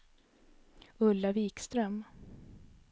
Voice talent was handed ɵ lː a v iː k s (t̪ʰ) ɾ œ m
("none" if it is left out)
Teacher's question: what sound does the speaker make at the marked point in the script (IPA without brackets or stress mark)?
t̪